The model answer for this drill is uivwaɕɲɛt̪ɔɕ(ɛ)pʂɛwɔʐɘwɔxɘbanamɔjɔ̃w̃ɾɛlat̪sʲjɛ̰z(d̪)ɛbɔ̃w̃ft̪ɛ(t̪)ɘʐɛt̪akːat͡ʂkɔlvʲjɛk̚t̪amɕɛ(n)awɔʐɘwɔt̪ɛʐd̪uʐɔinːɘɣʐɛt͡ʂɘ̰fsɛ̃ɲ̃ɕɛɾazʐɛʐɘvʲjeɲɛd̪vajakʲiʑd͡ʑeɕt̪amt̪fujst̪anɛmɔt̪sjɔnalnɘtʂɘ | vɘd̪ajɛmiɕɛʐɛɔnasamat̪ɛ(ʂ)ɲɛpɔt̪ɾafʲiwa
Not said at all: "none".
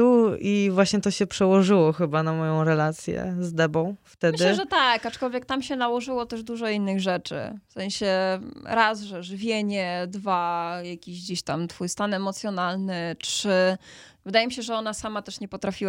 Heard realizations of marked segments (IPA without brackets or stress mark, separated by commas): ɛ, d̪, d̪, n, ʂ